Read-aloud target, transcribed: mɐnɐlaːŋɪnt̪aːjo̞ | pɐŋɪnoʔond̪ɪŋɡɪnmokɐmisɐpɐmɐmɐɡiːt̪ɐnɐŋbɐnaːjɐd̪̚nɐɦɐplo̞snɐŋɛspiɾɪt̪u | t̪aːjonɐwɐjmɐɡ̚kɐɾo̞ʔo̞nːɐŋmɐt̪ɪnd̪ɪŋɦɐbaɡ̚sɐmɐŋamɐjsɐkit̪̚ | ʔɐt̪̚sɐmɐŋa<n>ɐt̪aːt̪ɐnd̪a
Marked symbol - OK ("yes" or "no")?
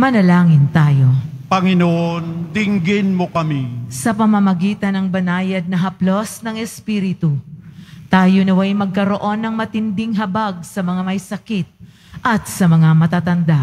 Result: no